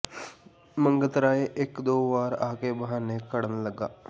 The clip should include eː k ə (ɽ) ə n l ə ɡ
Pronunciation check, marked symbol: correct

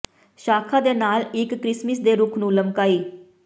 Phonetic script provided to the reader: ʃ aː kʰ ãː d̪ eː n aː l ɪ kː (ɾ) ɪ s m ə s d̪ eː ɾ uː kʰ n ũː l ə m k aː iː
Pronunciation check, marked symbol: correct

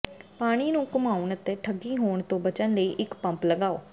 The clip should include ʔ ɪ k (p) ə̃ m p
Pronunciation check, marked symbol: correct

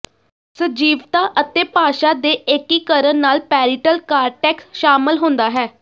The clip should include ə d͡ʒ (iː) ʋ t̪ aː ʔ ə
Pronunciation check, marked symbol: correct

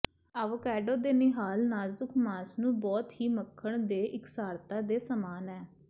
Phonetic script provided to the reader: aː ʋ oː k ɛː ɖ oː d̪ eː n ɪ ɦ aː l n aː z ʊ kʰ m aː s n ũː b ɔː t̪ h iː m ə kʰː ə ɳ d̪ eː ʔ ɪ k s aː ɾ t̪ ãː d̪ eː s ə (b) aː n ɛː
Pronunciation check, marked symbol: incorrect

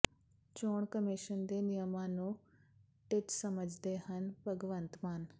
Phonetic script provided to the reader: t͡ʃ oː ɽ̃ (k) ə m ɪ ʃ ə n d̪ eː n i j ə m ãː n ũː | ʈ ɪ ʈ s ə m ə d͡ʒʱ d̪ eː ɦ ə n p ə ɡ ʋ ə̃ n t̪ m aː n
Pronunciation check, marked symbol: correct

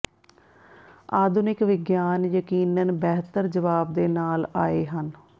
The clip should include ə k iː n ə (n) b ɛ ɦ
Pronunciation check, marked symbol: correct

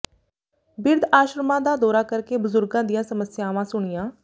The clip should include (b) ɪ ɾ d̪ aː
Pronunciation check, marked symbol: correct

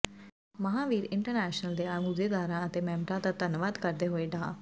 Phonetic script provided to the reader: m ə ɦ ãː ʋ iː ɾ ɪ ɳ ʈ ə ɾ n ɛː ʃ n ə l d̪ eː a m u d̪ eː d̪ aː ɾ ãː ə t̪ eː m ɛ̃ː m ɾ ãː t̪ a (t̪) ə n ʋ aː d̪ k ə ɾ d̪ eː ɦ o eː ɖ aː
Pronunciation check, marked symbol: correct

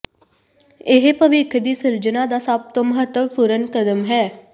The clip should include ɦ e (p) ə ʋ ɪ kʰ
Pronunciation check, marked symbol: correct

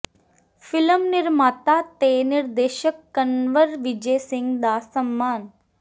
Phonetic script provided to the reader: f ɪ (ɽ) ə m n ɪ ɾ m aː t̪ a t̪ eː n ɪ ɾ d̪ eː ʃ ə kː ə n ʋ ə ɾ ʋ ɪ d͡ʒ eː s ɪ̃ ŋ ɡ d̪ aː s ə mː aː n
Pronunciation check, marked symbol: incorrect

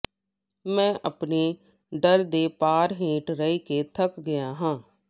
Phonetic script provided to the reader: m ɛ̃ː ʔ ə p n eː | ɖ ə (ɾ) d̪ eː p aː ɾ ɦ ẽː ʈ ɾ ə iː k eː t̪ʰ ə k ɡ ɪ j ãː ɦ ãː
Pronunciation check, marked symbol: correct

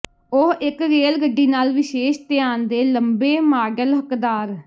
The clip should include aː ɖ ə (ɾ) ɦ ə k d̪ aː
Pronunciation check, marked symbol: incorrect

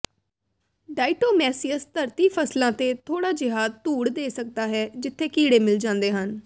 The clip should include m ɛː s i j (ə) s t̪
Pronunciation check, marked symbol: correct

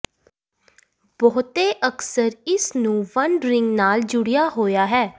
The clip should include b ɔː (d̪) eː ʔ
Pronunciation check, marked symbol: incorrect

